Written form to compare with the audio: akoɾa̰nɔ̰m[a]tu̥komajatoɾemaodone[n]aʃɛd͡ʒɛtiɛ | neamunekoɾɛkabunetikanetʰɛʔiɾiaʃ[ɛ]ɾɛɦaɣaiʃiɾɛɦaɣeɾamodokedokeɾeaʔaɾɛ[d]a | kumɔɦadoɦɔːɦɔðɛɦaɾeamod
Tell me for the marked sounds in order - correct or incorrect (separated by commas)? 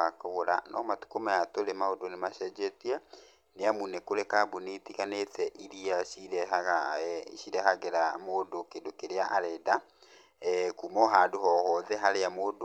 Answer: correct, incorrect, incorrect, correct